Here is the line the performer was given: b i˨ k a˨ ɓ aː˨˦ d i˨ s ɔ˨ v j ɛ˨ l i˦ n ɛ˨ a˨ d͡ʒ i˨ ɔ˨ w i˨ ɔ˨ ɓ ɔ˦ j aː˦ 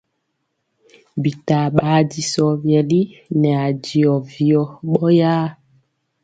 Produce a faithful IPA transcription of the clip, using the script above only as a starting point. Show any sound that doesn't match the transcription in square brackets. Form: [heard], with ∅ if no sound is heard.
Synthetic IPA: b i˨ [t] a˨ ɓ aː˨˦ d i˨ s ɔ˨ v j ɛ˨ l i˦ n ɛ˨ a˨ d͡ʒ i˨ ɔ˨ [v] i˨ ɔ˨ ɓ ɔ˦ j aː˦